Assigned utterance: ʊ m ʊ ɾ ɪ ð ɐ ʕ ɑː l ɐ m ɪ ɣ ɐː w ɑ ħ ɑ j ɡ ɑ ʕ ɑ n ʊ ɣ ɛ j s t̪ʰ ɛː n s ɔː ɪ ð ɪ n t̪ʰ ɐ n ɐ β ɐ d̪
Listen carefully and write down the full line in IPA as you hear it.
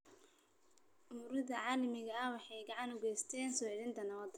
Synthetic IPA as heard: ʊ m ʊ ɾ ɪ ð ɐ ʕ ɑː l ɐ m ɪ ɣ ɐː w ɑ ħ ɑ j ɡ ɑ ʕ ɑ n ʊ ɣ ɛ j s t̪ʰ ɛː n s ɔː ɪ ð ɪ n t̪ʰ ɐ n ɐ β ɐ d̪